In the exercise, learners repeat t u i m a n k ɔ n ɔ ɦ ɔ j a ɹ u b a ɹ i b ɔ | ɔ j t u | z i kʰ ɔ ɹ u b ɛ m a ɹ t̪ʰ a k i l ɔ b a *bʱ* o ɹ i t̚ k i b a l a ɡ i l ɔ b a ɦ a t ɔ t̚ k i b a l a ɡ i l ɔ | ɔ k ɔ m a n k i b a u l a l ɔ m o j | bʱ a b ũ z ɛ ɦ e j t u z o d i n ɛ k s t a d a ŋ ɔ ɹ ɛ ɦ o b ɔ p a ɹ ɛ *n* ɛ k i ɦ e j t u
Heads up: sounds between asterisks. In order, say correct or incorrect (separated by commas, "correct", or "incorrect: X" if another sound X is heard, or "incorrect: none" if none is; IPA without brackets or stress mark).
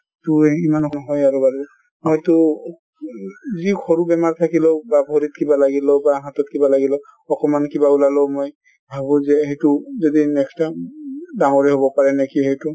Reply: correct, correct